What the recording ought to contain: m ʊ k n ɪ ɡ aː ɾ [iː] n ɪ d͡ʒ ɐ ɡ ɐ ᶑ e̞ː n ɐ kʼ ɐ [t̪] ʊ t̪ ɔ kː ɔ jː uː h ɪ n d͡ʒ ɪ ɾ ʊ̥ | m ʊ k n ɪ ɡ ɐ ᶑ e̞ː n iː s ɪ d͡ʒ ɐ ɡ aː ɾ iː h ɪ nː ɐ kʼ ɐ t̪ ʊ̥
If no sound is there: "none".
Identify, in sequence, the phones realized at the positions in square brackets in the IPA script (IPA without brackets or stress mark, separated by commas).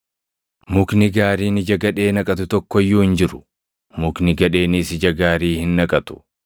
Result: iː, t̪